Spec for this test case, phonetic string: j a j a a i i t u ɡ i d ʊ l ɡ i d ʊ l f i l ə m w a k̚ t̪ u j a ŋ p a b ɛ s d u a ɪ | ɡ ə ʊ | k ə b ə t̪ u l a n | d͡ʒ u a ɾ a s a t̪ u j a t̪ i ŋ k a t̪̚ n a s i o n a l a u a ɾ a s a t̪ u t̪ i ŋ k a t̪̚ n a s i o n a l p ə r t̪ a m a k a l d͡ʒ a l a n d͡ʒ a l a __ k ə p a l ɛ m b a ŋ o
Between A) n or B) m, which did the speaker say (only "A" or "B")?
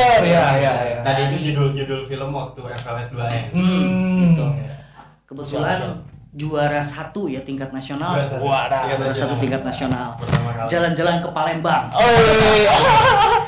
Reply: A